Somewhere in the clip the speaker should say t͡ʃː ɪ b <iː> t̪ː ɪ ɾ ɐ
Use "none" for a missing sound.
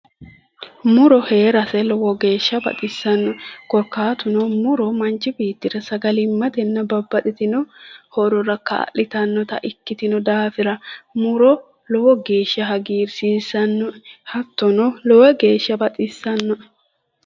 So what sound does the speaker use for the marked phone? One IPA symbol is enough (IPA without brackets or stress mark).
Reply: iː